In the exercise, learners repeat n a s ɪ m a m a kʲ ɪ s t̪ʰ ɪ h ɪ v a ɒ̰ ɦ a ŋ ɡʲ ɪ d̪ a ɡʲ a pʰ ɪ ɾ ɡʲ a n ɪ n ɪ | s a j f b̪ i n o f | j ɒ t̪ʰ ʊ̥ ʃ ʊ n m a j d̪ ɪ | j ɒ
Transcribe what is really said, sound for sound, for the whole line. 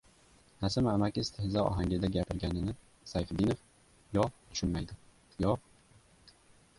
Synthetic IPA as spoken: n a s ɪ m a m a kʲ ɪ s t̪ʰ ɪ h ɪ z a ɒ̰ ɦ a ŋ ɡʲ ɪ d̪ a ɡʲ a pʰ ɪ ɾ ɡʲ a n ɪ n ɪ | s a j f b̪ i n o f | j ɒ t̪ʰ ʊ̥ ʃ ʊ n m a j d̪ ɪ | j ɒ